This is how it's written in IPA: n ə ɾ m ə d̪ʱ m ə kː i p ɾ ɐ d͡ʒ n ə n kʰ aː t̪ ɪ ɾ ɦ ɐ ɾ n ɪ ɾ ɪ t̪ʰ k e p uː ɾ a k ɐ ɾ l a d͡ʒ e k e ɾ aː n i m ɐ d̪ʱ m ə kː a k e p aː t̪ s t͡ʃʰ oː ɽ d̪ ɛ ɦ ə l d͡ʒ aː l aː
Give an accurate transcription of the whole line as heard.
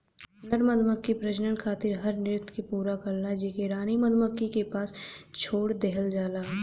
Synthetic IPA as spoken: n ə ɾ m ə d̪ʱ m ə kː i p ɾ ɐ d͡ʒ n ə n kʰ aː t̪ ɪ ɾ ɦ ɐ ɾ n ɪ ɾ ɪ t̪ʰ k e p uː ɾ a k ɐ ɾ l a d͡ʒ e k e ɾ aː n i m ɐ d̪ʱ m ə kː i k e p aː s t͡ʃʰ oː ɽ d̪ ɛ ɦ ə l d͡ʒ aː l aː